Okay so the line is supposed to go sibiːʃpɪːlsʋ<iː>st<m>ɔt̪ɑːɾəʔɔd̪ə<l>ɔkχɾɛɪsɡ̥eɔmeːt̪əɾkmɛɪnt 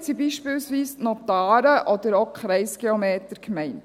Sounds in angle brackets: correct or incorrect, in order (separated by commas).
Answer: correct, incorrect, incorrect